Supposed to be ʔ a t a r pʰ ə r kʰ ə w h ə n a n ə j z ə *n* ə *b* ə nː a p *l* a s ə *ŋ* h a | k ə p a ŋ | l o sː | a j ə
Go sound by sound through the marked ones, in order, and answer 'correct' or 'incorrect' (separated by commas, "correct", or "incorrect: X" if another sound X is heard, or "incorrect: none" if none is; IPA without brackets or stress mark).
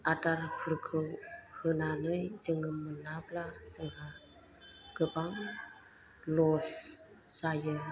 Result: incorrect: ŋ, incorrect: m, correct, correct